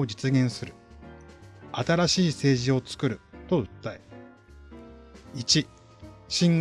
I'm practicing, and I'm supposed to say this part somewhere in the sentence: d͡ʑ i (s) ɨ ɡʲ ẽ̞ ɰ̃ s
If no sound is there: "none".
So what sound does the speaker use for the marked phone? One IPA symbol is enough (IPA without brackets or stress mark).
t͡s